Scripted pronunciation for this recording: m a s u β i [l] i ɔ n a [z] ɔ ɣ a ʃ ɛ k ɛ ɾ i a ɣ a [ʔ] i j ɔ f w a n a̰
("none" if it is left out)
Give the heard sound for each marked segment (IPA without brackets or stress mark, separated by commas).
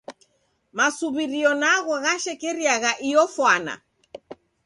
ɾ, ɣ, ʔ